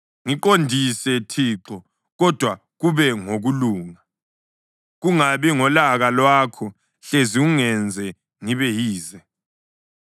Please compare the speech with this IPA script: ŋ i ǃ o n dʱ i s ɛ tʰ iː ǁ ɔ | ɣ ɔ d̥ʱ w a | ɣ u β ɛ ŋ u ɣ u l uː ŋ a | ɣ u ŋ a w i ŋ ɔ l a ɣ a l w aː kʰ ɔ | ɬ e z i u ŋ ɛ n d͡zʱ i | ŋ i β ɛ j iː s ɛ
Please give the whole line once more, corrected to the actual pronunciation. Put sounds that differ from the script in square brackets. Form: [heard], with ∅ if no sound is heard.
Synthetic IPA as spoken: ŋ i ǃ o n dʱ i s ɛ tʰ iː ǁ ɔ | ɣ ɔ d̥ʱ w a | ɣ u β ɛ ŋ [o] ɣ u l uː ŋ a | ɣ u ŋ a [β] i ŋ ɔ l a ɣ a l w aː kʰ ɔ | ɬ e z i u ŋ ɛ n d͡zʱ [ɛ] | ŋ i β ɛ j iː [z] ɛ